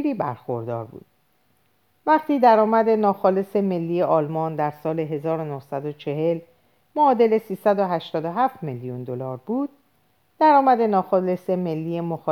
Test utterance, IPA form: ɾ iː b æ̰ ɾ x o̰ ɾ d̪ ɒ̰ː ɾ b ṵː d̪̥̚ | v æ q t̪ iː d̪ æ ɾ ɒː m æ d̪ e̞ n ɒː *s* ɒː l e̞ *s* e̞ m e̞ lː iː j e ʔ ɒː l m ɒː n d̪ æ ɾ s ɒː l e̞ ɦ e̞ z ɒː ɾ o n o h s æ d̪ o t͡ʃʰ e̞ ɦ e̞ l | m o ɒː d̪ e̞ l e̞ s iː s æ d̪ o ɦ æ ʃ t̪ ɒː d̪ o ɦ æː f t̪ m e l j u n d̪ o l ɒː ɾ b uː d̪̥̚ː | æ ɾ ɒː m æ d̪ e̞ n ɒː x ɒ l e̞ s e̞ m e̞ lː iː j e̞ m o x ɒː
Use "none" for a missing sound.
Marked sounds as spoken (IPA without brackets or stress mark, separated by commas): x, s